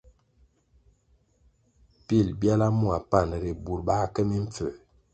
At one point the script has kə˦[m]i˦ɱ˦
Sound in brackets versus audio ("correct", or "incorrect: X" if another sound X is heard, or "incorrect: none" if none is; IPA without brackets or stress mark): correct